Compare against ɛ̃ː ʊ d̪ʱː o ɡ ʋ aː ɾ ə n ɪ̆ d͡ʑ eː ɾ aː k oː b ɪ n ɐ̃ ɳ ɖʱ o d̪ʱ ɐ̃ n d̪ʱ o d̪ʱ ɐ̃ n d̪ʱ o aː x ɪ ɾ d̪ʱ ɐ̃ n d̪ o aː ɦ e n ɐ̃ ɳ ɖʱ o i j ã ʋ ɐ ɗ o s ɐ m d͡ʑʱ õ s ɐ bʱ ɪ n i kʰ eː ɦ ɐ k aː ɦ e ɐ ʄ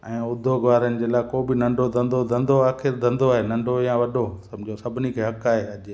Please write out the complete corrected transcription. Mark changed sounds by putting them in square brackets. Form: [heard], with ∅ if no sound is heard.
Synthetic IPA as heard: ɛ̃ː ʊ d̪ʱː o ɡ ʋ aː ɾ ə n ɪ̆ d͡ʑ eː [l] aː k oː b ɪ n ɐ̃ ɳ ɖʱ o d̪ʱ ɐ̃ n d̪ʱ o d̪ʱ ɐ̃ n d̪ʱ o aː x ɪ ɾ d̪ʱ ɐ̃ n d̪ o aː ɦ e n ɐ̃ ɳ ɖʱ o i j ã ʋ ɐ ɗ o s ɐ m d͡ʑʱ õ s ɐ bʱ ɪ n i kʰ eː ɦ ɐ k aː ɦ e ɐ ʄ